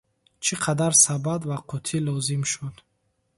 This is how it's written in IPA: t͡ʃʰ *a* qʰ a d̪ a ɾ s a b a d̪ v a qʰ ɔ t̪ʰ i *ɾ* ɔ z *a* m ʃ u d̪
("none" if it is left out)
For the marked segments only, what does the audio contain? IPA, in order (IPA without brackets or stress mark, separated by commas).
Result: i, l, i